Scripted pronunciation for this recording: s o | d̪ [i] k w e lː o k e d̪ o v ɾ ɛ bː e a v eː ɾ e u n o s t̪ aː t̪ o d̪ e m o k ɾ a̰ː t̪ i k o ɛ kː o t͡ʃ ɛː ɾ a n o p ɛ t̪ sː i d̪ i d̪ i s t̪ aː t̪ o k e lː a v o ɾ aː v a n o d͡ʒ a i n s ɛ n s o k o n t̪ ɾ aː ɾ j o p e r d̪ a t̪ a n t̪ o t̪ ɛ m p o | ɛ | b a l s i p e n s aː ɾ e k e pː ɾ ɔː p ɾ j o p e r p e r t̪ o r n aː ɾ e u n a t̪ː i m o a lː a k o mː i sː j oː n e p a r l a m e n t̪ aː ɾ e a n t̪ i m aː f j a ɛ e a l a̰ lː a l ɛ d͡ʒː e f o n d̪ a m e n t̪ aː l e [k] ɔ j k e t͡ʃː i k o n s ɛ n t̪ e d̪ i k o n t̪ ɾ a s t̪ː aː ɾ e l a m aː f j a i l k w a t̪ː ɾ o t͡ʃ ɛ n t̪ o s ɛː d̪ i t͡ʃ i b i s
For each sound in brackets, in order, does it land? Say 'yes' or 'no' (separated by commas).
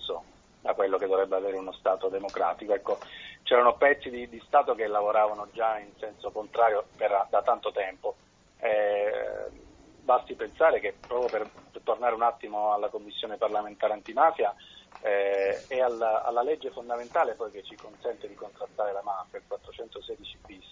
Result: no, no